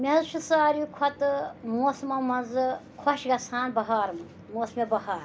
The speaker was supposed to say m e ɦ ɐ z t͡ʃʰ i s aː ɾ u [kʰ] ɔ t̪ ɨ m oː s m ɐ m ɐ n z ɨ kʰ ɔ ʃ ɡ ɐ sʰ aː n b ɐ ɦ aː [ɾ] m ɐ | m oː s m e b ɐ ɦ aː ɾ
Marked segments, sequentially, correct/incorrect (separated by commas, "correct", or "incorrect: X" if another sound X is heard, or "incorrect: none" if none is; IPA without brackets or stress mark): correct, correct